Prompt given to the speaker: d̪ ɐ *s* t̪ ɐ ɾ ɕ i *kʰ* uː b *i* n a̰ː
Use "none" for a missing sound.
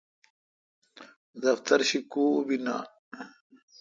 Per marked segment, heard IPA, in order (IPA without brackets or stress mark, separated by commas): f, k, i